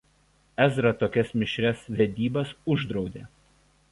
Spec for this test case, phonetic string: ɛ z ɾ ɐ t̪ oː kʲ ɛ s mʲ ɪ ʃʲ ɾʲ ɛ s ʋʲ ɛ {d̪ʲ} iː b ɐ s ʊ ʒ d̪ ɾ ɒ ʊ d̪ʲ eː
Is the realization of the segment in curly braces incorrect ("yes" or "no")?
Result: no